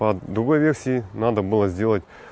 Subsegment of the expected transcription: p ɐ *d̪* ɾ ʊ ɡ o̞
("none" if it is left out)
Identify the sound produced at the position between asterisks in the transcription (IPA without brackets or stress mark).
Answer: d̪